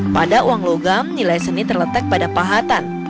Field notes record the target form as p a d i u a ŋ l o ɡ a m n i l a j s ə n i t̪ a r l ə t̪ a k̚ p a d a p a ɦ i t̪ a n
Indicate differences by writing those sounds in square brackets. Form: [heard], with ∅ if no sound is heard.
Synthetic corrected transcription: p a d [a] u a ŋ l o ɡ a m n i l a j s ə n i t̪ [ə] r l ə t̪ a k̚ p a d a p a ɦ [a] t̪ a n